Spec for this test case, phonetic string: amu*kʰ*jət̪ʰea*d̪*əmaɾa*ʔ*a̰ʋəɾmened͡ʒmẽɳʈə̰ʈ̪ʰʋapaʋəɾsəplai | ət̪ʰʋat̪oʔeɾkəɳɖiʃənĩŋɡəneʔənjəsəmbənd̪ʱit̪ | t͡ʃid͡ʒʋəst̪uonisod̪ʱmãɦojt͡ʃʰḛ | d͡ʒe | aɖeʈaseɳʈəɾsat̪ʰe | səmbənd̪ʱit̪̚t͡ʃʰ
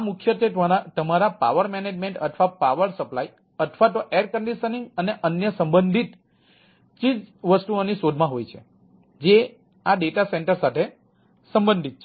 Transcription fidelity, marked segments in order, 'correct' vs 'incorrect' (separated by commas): correct, incorrect, incorrect